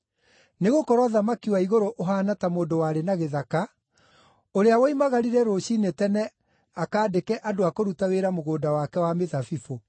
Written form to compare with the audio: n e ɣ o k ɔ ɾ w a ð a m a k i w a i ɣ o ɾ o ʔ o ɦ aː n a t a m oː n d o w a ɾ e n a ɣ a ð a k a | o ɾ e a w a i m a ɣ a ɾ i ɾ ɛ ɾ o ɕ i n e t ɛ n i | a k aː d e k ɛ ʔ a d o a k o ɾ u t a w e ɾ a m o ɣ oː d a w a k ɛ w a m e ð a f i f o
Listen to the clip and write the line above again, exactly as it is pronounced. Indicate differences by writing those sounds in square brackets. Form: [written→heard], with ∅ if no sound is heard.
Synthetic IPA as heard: n e ɣ o k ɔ ɾ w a ð a m a k i w a i ɣ o ɾ o ʔ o ɦ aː n a t a m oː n d o w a ɾ e n a ɣ [a→e] ð a k a | o ɾ e a w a i m a ɣ a ɾ i ɾ ɛ ɾ o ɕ i n e t ɛ n [i→ɛ] | a k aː d e k ɛ ʔ a d o a k o ɾ u t a w e ɾ a m o ɣ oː d a w a k ɛ w a m e ð a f i f o